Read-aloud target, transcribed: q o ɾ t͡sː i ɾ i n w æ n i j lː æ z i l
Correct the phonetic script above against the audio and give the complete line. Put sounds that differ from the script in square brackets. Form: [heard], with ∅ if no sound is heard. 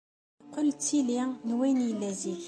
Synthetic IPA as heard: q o [l] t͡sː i [l] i n w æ n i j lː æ z i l